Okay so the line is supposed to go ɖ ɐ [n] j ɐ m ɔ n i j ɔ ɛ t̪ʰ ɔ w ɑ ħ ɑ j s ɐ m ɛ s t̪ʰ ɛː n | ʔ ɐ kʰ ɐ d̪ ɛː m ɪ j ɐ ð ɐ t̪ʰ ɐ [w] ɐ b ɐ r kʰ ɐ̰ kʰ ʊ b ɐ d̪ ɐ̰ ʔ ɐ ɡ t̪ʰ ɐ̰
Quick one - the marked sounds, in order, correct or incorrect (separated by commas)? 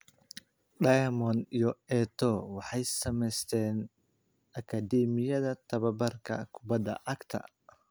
incorrect, incorrect